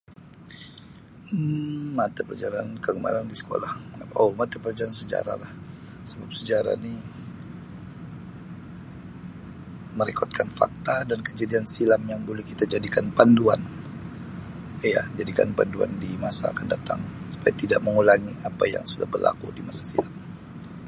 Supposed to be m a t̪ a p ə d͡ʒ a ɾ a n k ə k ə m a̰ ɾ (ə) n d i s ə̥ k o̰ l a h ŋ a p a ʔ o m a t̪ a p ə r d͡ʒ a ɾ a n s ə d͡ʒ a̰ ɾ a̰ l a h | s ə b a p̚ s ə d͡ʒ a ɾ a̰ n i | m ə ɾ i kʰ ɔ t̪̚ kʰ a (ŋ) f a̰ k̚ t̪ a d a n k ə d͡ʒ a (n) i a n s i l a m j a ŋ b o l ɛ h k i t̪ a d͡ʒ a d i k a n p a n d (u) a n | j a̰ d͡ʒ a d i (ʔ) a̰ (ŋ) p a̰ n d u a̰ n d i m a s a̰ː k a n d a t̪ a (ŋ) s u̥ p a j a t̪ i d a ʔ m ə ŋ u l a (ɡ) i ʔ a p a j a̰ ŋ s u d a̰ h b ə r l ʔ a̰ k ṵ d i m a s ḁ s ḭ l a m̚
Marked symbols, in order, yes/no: no, no, no, yes, no, no, yes, no

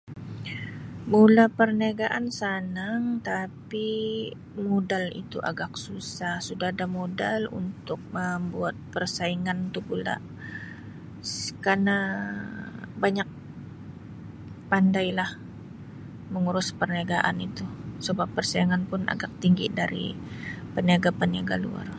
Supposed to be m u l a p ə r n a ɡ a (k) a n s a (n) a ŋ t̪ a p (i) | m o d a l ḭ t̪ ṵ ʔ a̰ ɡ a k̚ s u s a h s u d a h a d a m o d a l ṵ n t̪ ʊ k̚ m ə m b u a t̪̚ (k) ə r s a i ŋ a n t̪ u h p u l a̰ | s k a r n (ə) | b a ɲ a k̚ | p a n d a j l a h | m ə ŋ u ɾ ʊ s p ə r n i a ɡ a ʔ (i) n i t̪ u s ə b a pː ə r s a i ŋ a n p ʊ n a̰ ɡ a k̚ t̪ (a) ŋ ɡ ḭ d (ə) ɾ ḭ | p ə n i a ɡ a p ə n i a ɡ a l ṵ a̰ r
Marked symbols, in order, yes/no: no, yes, yes, no, no, no, no, no

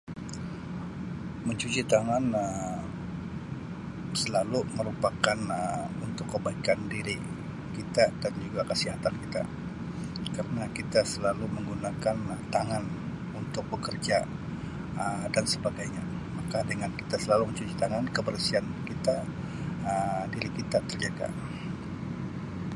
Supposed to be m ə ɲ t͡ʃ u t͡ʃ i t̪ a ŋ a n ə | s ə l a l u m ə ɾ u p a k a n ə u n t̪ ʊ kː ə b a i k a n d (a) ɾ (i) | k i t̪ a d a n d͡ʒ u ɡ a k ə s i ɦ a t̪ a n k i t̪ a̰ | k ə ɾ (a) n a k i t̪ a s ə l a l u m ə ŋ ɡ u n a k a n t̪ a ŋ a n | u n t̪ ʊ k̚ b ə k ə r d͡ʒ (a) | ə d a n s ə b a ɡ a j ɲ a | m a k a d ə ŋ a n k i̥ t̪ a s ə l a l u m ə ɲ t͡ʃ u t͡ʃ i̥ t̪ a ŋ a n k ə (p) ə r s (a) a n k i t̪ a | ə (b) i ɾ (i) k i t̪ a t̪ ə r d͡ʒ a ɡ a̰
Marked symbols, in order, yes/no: no, yes, no, yes, no, no, no, yes

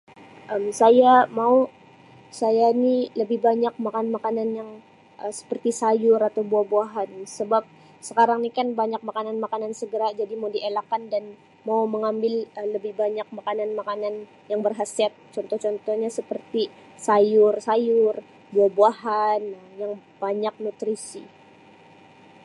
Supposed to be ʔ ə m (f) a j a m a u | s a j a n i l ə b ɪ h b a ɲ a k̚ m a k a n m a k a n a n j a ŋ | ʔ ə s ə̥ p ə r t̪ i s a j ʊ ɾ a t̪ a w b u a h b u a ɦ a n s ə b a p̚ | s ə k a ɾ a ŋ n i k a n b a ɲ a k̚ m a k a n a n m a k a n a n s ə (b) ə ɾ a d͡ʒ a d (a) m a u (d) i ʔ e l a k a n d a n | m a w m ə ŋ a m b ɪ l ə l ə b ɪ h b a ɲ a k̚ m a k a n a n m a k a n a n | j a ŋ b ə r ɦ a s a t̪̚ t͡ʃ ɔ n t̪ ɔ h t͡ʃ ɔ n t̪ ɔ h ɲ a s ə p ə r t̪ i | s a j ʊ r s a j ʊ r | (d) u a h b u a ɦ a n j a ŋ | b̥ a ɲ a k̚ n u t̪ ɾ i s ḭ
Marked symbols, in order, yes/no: no, no, no, yes, no

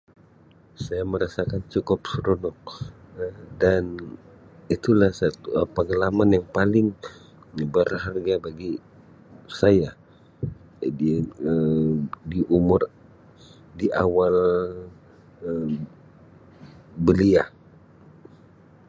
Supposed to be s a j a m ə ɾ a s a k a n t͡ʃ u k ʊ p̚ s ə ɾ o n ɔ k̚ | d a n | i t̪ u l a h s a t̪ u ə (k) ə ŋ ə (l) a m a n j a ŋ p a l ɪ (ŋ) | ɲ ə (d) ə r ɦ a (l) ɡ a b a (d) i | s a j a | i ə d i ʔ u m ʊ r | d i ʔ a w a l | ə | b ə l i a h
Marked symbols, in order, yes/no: no, yes, yes, no, no, no

